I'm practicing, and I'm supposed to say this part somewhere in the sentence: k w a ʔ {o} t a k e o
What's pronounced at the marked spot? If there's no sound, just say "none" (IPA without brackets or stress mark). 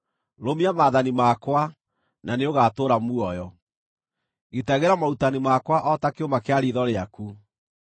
ɔ